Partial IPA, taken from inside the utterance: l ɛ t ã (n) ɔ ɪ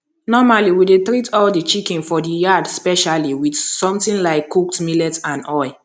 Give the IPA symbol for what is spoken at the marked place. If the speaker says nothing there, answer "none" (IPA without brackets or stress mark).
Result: n